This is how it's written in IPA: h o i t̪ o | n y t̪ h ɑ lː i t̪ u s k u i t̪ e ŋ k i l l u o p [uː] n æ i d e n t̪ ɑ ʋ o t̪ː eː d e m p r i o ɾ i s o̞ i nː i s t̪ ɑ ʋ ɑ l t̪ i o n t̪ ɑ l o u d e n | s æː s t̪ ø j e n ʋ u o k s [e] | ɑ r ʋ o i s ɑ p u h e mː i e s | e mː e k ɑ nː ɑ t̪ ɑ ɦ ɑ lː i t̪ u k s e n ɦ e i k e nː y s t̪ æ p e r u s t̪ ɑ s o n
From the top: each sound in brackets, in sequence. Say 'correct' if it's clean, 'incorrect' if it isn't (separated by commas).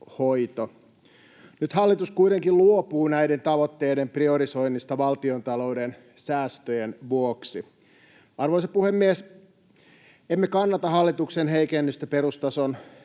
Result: correct, incorrect